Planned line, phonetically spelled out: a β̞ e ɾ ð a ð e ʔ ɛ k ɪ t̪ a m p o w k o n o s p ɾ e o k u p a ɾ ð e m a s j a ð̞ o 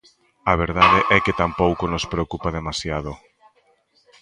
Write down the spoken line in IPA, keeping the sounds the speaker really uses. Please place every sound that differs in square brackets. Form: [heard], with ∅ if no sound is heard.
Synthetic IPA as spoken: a β̞ e ɾ ð a ð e ʔ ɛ k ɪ t̪ a m p o w k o n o s p ɾ e o k u p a [∅] ð e m a s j a ð̞ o